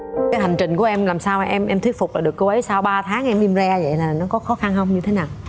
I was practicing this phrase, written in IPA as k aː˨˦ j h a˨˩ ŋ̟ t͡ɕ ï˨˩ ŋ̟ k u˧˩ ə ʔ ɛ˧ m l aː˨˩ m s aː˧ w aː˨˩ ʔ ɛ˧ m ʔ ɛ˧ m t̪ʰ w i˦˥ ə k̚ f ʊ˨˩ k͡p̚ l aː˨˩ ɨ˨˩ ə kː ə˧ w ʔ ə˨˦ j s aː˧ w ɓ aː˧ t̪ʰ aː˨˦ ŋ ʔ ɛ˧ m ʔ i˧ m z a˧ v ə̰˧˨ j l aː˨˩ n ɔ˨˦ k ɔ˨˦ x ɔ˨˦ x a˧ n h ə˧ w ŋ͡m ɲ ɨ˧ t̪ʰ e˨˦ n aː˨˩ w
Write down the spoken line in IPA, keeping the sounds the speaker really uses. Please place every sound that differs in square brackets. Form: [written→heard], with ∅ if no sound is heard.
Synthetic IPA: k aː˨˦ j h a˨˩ ŋ̟ t͡ɕ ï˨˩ ŋ̟ k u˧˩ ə ʔ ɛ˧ m l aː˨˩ m s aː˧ w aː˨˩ ʔ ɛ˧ m ʔ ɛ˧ m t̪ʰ w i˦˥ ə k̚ f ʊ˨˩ k͡p̚ l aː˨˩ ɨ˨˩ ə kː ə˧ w ʔ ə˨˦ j s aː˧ w ɓ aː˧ t̪ʰ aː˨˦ ŋ ʔ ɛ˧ m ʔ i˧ m z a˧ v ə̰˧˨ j l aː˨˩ n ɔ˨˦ k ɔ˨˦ x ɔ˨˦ x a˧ n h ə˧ w ŋ͡m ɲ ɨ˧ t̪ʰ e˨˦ n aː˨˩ w